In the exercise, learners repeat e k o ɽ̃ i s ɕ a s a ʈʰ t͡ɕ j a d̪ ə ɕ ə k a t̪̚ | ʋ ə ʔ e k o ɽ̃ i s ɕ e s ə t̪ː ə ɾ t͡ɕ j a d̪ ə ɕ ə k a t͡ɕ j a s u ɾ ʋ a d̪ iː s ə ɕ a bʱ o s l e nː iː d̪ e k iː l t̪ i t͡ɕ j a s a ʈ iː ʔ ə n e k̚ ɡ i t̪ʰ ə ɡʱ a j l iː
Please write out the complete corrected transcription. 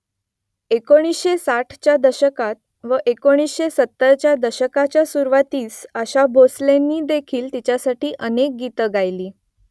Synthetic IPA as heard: e k o ɽ̃ i s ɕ e s a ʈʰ t͡ɕ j a d̪ ə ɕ ə k a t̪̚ | ʋ ə ʔ e k o ɽ̃ i s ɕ e s ə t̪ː ə ɾ t͡ɕ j a d̪ ə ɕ ə k a t͡ɕ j a s u ɾ ʋ a t̪ iː s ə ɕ a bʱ o s l e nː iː d̪ e kʰ iː l t̪ i t͡ɕ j a s a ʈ iː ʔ ə n e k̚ ɡ i t̪ ə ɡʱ a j l iː